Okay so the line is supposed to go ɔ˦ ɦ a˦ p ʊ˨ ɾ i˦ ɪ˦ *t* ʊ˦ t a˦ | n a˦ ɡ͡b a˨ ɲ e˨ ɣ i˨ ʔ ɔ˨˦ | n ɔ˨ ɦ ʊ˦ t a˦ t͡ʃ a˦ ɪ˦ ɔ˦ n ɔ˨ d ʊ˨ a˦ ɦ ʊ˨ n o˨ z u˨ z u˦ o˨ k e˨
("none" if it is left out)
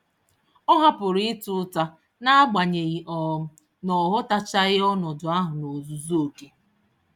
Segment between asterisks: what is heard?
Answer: t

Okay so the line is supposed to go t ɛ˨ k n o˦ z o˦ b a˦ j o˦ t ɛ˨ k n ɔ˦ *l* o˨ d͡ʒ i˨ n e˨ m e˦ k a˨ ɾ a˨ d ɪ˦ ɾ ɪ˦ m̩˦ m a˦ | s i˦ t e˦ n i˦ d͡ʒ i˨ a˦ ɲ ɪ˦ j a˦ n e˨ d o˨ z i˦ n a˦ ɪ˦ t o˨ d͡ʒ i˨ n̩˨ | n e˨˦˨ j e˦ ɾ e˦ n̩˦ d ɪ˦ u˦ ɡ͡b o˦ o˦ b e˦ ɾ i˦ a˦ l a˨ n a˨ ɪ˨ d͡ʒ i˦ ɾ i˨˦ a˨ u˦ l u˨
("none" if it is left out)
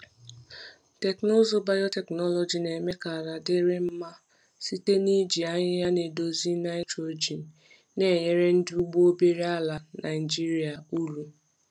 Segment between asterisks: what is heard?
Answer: l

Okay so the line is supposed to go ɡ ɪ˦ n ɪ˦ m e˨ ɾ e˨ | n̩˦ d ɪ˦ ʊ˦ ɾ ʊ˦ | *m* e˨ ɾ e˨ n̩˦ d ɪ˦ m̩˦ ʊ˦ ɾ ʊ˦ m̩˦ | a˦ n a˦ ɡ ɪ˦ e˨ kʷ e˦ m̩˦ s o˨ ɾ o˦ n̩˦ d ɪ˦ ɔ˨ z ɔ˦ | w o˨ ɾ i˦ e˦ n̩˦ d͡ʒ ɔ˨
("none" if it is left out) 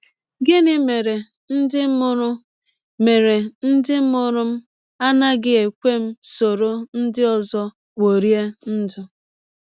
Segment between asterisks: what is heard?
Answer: m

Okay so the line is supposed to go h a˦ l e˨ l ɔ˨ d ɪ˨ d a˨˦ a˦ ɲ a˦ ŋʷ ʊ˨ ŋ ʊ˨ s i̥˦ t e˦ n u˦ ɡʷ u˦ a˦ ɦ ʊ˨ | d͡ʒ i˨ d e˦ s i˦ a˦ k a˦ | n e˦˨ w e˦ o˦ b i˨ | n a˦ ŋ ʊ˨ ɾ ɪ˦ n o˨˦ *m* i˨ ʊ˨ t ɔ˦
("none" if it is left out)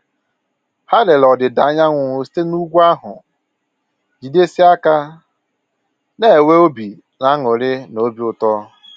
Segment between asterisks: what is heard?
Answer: b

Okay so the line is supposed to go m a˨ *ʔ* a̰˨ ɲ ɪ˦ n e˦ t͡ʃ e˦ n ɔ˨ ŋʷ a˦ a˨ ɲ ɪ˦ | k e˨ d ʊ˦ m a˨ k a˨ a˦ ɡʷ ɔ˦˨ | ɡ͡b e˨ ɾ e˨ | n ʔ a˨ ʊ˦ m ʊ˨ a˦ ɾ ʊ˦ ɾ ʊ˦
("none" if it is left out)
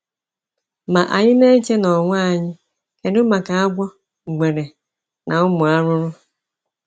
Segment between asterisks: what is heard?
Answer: ʔ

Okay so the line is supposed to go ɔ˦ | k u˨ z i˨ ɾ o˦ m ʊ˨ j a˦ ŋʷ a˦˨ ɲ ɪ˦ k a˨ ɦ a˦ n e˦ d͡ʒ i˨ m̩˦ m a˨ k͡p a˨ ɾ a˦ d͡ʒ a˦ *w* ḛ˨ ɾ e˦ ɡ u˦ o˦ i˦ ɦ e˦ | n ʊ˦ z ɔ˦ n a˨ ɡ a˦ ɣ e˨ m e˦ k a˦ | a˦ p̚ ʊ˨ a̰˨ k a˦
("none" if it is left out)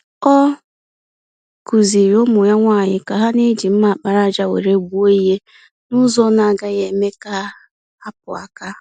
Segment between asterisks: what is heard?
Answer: w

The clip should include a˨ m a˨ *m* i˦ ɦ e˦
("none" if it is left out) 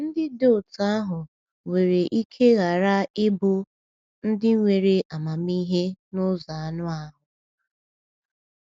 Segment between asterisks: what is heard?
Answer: m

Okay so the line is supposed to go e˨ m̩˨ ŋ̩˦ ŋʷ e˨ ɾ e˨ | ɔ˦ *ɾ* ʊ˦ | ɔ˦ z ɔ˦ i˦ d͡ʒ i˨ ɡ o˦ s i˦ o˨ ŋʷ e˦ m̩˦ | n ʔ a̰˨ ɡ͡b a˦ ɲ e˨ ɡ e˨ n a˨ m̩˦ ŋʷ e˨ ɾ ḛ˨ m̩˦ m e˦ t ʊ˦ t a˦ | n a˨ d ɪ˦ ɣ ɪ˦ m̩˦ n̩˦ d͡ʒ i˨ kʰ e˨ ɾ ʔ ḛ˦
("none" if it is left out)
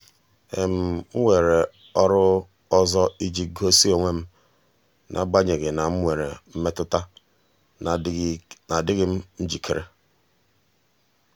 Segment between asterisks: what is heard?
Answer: ɾ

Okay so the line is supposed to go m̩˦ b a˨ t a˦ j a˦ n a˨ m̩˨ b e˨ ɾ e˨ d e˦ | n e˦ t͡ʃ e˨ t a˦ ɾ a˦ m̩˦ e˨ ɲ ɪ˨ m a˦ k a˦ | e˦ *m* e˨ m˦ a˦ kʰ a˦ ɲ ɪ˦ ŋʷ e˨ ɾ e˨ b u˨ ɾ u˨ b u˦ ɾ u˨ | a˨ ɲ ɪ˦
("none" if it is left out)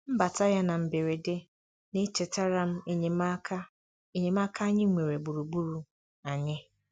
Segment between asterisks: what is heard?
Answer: ɲ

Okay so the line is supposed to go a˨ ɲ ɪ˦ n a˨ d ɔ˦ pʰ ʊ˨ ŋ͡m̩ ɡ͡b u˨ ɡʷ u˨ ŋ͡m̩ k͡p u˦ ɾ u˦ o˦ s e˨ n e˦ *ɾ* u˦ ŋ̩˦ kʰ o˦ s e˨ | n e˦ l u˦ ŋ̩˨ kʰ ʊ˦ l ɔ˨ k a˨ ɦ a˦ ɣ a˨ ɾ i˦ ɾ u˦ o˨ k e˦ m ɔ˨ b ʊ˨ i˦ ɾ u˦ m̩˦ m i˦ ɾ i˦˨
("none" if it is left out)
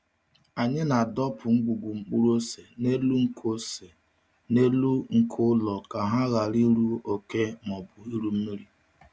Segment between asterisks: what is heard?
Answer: l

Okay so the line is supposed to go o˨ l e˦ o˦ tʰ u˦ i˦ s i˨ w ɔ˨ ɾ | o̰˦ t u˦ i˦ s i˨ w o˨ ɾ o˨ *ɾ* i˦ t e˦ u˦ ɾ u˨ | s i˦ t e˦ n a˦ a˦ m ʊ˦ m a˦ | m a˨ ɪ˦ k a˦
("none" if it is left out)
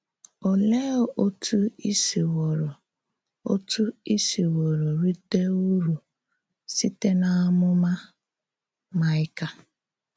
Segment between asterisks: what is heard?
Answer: ɾ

